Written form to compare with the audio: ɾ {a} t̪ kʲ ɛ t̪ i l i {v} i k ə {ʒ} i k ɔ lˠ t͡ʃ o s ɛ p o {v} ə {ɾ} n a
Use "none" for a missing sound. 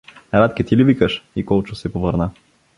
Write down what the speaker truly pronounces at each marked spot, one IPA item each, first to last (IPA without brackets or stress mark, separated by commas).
a, v, ʃ, v, ɾ